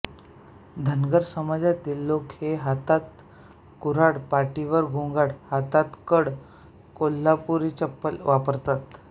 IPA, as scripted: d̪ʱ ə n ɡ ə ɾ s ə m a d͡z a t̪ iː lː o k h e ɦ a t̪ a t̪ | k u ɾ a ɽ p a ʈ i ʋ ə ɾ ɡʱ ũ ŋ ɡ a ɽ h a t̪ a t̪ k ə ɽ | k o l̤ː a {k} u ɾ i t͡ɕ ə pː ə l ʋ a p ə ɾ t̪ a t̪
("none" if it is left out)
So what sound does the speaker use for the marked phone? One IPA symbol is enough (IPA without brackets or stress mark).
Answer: p